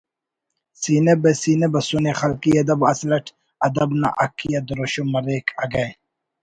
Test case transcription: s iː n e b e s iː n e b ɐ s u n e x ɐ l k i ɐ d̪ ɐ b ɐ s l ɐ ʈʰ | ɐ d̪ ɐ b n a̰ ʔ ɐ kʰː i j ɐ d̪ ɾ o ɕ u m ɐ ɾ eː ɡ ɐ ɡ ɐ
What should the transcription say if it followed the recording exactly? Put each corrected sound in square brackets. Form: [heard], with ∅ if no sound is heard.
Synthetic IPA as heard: s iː n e b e s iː n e b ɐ s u n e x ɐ l k i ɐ d̪ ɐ b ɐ s l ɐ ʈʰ | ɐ d̪ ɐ b n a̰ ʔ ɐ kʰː i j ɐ d̪ ɾ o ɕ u m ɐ ɾ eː [k] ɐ ɡ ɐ